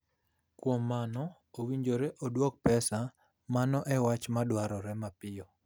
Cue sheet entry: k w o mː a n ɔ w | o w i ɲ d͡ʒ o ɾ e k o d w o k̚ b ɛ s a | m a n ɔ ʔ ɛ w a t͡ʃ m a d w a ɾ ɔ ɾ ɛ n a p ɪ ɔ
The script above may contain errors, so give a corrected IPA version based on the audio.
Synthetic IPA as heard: k w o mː a n ɔ | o w i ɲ d͡ʒ o ɾ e ʔ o d w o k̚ p ɛ s a | m a n ɔ ʔ ɛ w a t͡ʃ m a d w a ɾ ɔ ɾ ɛ m a p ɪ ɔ